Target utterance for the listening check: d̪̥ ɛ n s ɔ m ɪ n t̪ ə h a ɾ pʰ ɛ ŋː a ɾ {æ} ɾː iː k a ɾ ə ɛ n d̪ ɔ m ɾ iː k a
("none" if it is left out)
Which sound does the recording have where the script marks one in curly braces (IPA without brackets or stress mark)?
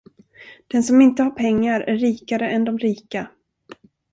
æ